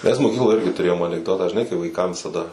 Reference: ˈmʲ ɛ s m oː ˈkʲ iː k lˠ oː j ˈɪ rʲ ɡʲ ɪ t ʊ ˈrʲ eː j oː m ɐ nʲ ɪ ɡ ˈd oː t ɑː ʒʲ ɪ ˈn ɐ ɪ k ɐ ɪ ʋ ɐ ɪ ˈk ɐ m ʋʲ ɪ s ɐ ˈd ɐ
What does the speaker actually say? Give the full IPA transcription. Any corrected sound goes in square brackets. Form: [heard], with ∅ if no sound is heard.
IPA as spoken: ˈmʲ ɛ s m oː ˈkʲ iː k lˠ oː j ˈɪ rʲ ɡʲ ɪ t ʊ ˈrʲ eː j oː m ɐ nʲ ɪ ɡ ˈd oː t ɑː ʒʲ ɪ ˈn ɐ ɪ k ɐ ɪ ʋ ɐ ɪ ˈk ɐ m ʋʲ ɪ s ɐ ˈd ɐ